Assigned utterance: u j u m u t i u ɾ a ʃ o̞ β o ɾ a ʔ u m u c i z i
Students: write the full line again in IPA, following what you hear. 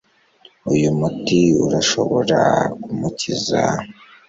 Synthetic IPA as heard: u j u m u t i u ɾ a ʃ o̞ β o ɾ a k u m u c i z a